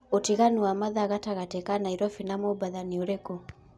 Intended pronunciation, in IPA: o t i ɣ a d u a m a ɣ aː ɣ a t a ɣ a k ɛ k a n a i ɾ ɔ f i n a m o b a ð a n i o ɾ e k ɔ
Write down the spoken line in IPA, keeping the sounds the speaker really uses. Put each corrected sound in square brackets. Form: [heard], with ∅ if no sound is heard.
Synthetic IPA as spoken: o t i ɣ a [n] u a m a [ð] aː ɣ a t a ɣ a [t] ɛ k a n a i ɾ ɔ f i n a m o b a ð a n i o ɾ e k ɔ